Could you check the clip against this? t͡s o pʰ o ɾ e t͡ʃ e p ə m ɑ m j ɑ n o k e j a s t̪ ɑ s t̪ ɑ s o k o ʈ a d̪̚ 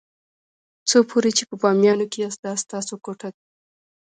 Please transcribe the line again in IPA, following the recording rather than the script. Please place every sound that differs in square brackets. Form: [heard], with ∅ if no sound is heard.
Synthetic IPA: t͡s o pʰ o ɾ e t͡ʃ e p ə [b] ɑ m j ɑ n o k e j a s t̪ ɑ s t̪ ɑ s o k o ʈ a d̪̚